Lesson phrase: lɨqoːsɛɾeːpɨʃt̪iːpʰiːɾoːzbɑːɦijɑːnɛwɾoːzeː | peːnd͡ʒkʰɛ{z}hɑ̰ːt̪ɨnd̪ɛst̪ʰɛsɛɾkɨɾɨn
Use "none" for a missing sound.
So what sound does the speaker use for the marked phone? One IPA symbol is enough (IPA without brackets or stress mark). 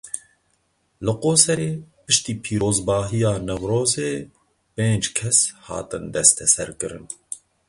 s